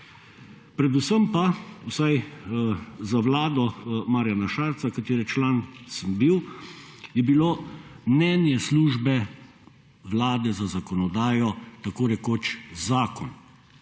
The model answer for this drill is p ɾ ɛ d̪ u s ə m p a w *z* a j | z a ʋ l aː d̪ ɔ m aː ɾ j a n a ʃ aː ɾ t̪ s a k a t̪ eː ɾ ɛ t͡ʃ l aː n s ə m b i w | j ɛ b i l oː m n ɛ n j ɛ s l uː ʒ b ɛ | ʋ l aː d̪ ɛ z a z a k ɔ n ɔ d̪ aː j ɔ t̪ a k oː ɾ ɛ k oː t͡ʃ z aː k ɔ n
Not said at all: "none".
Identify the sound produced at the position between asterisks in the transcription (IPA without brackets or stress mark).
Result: s